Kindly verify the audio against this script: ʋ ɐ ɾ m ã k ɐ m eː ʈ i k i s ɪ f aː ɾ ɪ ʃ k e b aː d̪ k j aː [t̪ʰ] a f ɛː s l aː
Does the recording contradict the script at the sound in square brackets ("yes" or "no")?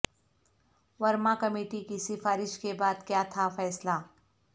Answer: no